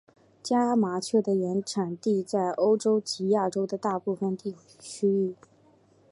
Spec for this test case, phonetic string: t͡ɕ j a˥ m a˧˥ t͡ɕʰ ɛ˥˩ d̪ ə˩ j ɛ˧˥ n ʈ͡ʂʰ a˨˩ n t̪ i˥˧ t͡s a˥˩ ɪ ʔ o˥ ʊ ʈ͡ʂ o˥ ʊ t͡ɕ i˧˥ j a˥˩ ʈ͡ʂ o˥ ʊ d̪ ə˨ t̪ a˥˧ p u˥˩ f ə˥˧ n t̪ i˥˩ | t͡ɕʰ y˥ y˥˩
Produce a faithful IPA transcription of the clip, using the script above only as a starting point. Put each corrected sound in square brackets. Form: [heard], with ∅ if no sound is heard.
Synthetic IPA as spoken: t͡ɕ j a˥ m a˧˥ t͡ɕʰ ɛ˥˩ d̪ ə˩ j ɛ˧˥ n ʈ͡ʂʰ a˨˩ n t̪ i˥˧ t͡s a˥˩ ɪ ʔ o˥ ʊ ʈ͡ʂ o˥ ʊ t͡ɕ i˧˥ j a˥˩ ʈ͡ʂ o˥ ʊ d̪ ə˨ t̪ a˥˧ p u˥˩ f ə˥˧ n t̪ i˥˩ | t͡ɕʰ y˥ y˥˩